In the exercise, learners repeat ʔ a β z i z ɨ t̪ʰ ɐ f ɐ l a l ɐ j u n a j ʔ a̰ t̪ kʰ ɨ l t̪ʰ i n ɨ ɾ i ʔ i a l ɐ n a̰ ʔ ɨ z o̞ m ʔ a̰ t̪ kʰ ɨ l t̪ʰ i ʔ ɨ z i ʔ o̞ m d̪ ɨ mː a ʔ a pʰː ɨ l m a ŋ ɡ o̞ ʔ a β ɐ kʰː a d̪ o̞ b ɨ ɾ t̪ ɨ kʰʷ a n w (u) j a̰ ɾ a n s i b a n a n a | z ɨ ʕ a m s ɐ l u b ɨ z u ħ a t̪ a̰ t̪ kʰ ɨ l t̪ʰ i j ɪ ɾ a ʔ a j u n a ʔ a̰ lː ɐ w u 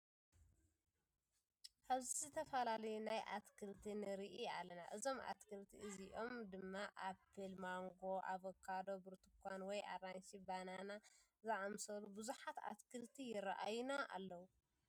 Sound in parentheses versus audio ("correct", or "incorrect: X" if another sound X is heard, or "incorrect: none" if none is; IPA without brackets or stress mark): incorrect: ɔ